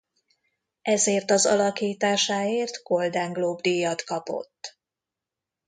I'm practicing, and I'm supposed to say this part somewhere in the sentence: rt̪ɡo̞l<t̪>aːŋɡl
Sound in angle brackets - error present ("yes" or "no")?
yes